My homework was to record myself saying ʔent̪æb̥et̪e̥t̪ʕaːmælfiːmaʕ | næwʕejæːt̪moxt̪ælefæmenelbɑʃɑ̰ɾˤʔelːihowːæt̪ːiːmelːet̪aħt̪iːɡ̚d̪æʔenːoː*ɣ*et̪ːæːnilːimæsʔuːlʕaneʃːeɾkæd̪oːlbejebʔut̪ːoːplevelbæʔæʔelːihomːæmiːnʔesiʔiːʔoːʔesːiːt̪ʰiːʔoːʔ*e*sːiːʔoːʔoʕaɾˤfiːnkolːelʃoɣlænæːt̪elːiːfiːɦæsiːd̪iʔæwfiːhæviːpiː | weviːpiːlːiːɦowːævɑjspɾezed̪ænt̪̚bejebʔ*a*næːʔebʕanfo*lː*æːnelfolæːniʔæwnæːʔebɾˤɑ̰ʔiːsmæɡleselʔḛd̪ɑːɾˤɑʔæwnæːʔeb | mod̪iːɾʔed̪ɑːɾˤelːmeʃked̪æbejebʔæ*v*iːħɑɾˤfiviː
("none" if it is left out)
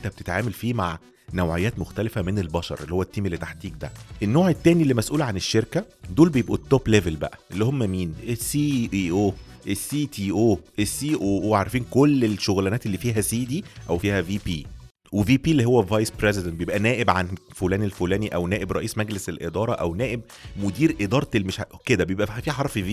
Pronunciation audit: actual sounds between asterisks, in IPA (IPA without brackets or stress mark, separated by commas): ʕ, e, æ, l, f